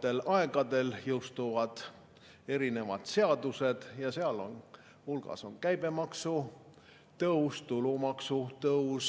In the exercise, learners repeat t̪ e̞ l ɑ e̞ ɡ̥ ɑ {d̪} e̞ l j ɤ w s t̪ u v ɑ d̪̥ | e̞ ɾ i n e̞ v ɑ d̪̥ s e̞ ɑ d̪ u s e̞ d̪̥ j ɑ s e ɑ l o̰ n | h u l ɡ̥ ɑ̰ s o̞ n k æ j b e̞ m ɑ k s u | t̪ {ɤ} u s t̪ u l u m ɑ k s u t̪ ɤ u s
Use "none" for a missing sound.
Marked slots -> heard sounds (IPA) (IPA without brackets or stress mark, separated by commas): d̪, ɤ